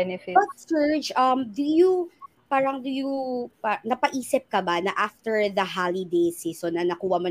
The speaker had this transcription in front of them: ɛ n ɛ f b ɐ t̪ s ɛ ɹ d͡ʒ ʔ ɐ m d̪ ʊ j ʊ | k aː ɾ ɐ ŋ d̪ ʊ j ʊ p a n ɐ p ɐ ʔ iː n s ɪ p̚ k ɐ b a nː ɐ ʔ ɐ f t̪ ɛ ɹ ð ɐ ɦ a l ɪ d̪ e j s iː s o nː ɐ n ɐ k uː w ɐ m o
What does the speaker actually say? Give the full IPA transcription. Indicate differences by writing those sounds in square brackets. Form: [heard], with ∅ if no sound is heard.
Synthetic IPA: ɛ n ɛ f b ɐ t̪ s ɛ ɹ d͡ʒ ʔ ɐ m d̪ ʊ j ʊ | [p] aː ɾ ɐ ŋ d̪ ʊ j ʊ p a n ɐ p ɐ ʔ iː [∅] s ɪ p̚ k ɐ b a [n] ɐ ʔ [a] f t̪ ɛ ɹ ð ɐ ɦ a l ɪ d̪ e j s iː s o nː ɐ n ɐ k uː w ɐ m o